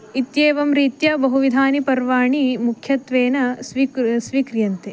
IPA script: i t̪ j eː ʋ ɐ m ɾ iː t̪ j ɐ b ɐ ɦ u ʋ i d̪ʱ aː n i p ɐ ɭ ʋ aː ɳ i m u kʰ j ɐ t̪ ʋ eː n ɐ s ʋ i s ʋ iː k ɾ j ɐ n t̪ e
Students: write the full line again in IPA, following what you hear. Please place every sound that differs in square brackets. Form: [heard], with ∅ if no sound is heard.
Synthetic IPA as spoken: i t̪ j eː ʋ ɐ m ɾ iː t̪ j ɐ b ɐ ɦ u ʋ i d̪ʱ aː n i p ɐ [ɾ] ʋ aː ɳ i m u kʰ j ɐ t̪ ʋ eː n ɐ s ʋ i s ʋ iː k ɾ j ɐ n t̪ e